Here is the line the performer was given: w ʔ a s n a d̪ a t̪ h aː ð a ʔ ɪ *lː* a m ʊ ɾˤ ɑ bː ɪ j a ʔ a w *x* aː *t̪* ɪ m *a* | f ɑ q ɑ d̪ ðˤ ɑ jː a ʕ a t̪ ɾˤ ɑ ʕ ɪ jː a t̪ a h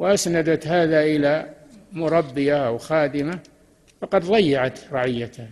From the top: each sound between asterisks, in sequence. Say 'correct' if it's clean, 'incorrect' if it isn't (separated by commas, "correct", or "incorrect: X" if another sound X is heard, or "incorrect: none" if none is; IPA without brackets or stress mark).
incorrect: l, correct, incorrect: d̪, correct